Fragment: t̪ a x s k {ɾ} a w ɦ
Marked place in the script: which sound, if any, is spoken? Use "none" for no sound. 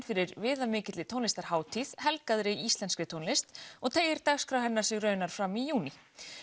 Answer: ɾ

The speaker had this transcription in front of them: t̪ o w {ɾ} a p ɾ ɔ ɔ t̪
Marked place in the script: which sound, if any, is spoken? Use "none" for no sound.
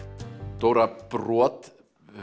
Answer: ɾ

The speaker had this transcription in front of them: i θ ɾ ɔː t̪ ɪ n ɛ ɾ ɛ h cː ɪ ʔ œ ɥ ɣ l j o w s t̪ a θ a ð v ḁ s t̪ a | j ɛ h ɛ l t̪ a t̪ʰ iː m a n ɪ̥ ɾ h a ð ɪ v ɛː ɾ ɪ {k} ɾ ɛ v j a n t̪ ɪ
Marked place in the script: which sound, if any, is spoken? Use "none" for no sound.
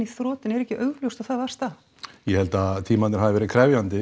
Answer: kʰ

